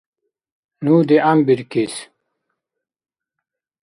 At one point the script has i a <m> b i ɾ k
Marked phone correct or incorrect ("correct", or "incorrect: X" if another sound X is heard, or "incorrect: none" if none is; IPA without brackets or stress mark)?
correct